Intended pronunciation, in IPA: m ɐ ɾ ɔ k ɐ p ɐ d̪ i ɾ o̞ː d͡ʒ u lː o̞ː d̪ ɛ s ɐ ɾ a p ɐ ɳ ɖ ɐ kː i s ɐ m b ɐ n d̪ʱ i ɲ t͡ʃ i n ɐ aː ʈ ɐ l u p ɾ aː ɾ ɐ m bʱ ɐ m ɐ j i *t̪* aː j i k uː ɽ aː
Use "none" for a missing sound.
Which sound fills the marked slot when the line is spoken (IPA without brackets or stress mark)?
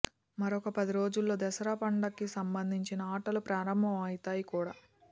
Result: t̪